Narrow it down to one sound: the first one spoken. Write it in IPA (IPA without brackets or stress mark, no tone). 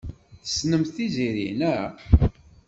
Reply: θ